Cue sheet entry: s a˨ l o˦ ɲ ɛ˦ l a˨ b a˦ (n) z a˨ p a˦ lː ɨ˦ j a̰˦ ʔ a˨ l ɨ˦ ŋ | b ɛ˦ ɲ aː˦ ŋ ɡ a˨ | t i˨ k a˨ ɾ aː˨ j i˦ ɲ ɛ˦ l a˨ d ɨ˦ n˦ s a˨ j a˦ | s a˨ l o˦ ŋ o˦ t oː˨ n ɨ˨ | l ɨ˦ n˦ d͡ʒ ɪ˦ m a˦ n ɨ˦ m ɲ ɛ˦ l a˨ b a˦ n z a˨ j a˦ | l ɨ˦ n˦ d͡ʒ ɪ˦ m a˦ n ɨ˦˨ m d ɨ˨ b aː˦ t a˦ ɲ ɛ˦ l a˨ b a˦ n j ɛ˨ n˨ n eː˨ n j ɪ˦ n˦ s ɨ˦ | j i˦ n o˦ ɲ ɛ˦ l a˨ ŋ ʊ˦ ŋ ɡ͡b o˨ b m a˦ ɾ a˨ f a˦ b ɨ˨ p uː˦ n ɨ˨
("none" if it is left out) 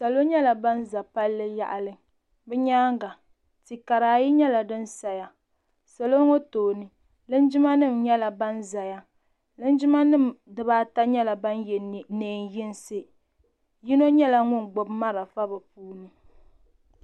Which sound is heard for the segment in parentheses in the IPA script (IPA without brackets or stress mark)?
n